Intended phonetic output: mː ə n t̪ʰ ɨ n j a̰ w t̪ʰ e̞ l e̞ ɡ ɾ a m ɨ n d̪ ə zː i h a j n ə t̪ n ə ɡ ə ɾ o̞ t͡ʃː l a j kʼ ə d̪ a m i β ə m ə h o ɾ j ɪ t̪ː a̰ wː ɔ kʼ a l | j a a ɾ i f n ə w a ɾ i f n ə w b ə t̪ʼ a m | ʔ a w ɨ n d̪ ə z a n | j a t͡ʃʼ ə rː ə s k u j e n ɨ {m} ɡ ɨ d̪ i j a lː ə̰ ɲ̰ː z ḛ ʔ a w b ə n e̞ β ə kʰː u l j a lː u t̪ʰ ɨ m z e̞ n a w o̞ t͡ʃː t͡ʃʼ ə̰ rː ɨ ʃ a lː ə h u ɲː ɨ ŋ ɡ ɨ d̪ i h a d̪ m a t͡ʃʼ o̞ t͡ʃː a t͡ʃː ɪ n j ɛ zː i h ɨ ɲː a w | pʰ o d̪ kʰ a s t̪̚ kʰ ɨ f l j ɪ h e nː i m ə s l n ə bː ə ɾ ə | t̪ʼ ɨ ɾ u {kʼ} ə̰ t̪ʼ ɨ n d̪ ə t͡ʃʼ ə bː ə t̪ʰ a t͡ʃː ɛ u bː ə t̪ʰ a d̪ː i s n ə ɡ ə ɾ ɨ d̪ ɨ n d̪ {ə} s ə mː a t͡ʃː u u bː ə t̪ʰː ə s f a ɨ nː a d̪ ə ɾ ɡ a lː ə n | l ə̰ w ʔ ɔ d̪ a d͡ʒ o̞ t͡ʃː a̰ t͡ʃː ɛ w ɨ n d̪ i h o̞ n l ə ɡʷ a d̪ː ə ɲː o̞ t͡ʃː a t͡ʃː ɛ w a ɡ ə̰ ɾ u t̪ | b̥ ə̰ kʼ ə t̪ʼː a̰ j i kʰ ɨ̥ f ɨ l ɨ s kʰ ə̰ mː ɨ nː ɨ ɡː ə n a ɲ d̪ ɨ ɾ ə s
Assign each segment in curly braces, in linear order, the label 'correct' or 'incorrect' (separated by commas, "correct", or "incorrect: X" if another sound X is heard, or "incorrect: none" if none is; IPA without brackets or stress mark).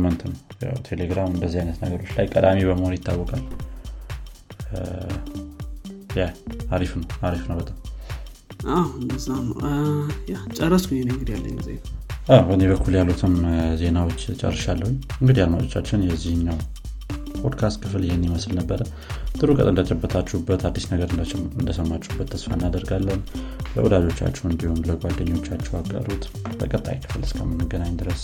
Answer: incorrect: ŋ, correct, correct